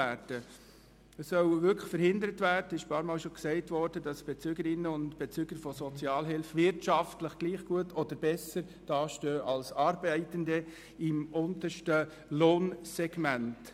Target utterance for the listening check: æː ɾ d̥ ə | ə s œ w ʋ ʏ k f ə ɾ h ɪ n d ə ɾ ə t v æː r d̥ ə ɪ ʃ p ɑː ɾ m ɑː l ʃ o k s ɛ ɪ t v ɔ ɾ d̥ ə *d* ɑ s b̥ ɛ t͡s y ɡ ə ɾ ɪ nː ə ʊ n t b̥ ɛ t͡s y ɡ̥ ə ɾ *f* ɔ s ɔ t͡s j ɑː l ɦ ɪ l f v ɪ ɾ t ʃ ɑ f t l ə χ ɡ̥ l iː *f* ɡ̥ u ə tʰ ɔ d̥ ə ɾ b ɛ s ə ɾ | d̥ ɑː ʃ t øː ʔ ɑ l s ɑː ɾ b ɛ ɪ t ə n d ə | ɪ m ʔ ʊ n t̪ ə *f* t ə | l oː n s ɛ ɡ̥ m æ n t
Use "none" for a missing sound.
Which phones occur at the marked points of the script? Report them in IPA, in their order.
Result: d, f, χ, ʃ

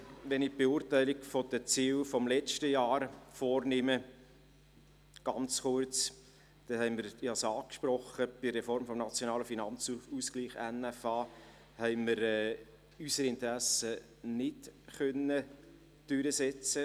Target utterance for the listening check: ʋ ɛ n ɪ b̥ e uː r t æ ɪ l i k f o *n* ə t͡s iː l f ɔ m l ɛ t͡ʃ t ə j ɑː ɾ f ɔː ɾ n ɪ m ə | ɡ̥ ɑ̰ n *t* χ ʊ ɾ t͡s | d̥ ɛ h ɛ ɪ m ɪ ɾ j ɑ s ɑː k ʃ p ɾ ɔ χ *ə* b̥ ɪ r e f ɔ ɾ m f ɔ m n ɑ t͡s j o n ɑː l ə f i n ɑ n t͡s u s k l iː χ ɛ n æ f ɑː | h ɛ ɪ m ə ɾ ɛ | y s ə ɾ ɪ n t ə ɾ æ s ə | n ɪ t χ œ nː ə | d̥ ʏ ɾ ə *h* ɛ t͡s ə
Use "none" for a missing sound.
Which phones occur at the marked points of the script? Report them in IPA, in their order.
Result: d, t͡s, ə, s

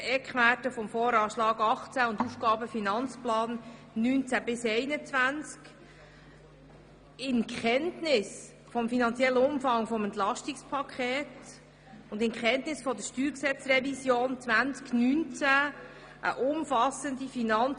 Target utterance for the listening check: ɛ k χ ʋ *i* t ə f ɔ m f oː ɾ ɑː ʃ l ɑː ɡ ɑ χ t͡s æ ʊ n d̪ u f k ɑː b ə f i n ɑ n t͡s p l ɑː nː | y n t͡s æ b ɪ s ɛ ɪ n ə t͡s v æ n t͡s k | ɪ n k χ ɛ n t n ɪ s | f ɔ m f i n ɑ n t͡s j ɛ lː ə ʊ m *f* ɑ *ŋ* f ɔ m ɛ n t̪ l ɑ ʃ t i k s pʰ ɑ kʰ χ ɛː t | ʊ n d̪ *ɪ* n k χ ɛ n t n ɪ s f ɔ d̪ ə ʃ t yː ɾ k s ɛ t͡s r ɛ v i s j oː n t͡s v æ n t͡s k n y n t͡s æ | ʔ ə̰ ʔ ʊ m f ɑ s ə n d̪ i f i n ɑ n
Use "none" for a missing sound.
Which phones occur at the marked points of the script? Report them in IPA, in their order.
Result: æ, f, ŋ, ɪ

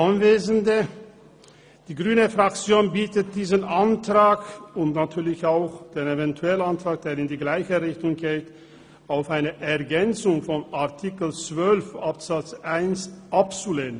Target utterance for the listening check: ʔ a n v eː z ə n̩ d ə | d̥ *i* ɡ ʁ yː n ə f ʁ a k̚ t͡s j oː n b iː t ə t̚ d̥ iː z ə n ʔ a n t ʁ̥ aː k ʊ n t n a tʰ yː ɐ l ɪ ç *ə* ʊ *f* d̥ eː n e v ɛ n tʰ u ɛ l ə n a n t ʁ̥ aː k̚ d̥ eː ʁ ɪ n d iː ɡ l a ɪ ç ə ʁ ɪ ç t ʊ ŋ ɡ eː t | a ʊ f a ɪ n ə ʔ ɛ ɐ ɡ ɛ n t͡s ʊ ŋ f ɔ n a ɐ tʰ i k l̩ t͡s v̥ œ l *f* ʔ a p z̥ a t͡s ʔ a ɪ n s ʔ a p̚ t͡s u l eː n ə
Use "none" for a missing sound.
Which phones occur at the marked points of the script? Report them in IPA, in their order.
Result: iː, a, x, f

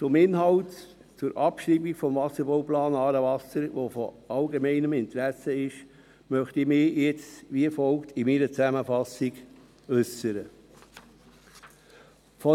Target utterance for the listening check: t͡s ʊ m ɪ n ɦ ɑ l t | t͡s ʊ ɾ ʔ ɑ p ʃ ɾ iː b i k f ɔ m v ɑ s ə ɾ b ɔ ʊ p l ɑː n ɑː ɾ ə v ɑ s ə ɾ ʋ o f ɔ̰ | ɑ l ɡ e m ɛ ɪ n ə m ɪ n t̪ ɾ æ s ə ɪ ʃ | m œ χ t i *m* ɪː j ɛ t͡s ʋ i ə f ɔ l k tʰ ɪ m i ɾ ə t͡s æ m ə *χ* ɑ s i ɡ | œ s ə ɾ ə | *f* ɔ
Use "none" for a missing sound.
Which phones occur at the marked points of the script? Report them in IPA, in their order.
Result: m, f, f

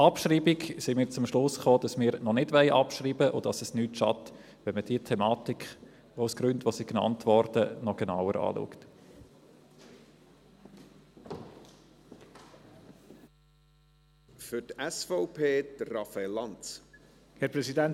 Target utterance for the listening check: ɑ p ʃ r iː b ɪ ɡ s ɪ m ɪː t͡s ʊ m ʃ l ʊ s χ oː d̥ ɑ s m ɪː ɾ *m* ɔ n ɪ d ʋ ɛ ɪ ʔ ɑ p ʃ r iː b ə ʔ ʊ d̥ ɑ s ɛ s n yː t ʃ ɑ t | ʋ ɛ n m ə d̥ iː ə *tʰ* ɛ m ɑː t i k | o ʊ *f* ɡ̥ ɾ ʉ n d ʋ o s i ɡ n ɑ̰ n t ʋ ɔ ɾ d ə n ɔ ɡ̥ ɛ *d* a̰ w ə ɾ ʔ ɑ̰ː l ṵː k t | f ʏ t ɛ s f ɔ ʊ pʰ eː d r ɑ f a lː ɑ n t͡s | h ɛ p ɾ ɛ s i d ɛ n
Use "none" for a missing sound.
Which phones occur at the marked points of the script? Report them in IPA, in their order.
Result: n, tʰ, s, n

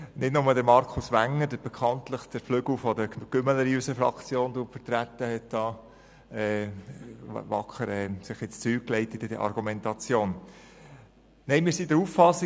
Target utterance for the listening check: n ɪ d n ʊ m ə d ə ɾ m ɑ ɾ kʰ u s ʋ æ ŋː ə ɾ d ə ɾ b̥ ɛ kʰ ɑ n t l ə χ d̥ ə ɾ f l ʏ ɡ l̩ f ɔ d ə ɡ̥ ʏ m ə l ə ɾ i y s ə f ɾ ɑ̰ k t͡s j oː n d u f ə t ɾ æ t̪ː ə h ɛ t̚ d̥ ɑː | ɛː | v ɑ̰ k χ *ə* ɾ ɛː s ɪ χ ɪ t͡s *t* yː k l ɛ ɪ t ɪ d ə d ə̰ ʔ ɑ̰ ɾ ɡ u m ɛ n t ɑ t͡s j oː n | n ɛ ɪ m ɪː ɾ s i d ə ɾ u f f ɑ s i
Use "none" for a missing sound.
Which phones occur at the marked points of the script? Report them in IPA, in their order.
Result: ə, t͡s

